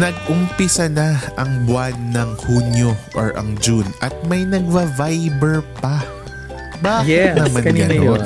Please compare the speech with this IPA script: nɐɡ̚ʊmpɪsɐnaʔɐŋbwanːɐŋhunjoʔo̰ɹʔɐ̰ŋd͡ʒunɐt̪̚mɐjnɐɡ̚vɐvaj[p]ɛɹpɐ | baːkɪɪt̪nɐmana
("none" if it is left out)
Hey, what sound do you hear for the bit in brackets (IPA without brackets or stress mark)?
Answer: b